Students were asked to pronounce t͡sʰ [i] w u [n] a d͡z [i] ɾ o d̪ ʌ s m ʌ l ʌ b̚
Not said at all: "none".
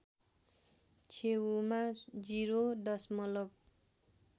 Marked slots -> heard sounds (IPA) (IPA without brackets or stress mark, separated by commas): e, m, i